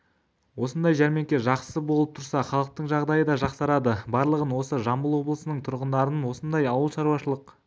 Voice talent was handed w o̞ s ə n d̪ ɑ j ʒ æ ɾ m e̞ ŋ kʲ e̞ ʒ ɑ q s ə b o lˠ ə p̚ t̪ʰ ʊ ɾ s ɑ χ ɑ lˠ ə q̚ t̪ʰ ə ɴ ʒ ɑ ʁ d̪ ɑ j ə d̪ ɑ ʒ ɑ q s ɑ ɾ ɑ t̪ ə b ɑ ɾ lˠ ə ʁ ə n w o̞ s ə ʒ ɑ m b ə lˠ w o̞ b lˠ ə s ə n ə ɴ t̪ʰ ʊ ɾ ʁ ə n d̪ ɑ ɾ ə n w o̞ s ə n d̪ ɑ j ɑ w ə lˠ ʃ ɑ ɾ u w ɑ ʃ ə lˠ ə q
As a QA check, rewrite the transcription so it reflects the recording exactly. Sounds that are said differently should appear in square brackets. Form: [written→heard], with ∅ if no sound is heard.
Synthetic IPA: w o̞ s ə n d̪ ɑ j ʒ æ ɾ m e̞ ŋ kʲ e̞ ʒ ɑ q s ə b o lˠ ə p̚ t̪ʰ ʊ ɾ s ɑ χ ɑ lˠ ə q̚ [t̪ʰ→t̪] ə ɴ ʒ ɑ ʁ d̪ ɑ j ə d̪ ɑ ʒ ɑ q s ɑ ɾ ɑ [t̪→d̪] ə b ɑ ɾ lˠ ə ʁ ə n w o̞ s ə ʒ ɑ m b ə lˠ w o̞ b lˠ ə s ə n ə ɴ t̪ʰ ʊ ɾ ʁ ə n d̪ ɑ ɾ ə n w o̞ s ə n d̪ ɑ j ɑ w ə lˠ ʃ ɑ ɾ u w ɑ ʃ ə lˠ ə q